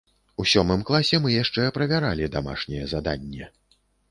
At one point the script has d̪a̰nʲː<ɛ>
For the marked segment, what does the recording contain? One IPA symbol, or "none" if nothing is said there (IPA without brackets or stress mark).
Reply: ɛ